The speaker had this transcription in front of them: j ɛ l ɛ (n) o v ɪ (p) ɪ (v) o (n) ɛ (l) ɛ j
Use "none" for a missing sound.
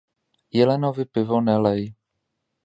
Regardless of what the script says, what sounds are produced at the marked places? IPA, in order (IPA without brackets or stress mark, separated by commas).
n, p, v, n, l